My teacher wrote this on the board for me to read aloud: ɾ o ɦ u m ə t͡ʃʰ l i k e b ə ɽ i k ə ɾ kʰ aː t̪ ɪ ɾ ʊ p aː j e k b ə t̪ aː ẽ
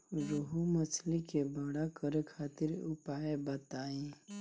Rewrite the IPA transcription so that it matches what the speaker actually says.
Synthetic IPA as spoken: ɾ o ɦ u m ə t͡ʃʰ l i k e b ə ɽ a k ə ɾ kʰ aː t̪ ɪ ɾ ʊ p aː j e b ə t̪ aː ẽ